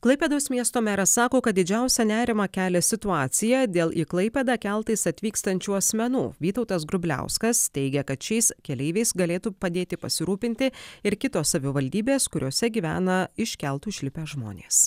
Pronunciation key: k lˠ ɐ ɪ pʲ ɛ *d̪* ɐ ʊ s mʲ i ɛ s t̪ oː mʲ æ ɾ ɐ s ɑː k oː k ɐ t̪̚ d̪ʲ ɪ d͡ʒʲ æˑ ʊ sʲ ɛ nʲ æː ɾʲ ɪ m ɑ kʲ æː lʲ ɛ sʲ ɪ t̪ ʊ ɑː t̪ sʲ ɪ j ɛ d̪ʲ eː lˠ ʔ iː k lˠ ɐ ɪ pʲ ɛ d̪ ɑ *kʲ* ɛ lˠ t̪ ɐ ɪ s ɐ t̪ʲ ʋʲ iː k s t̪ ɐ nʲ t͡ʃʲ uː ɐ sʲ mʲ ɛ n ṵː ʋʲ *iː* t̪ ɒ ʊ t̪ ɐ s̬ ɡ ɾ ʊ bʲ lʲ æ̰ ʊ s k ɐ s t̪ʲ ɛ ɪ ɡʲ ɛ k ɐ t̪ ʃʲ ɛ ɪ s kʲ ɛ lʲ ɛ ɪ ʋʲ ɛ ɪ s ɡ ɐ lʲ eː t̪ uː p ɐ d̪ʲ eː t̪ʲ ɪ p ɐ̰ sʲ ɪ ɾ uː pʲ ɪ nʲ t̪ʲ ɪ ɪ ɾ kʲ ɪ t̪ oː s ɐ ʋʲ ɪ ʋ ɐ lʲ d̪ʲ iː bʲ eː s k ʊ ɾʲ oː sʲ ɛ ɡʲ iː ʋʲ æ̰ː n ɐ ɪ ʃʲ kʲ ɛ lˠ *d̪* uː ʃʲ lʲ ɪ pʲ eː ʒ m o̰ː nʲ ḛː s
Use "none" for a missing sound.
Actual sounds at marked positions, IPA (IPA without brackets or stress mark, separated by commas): d̪, kʲ, iː, t̪